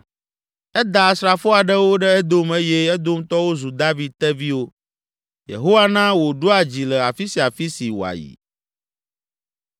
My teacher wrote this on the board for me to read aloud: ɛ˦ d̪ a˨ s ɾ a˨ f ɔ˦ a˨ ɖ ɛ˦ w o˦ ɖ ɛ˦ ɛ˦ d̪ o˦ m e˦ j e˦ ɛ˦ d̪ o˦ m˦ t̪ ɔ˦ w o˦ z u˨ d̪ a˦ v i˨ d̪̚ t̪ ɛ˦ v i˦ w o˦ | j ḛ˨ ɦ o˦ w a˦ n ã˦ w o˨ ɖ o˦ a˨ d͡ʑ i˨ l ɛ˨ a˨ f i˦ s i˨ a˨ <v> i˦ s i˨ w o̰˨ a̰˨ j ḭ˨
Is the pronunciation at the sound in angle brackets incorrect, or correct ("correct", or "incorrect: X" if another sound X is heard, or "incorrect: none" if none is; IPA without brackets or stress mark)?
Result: incorrect: f